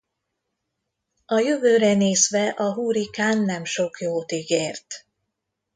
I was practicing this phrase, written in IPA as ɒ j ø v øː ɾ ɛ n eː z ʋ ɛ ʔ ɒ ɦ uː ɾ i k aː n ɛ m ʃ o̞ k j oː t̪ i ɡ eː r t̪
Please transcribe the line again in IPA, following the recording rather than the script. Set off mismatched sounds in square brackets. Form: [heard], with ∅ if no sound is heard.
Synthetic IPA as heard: ɒ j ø v øː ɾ ɛ n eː z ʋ ɛ ʔ ɒ ɦ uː ɾ i k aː [nː] ɛ m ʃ o̞ k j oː t̪ i ɡ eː r t̪